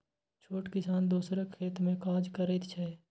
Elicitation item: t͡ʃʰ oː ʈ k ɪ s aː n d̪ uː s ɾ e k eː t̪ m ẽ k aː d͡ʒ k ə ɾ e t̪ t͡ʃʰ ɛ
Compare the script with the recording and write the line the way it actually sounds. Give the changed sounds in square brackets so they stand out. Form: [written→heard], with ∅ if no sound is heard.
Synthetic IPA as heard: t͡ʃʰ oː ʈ k ɪ s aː n d̪ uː s ɾ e [k→kʰ] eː t̪ m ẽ k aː d͡ʒ k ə ɾ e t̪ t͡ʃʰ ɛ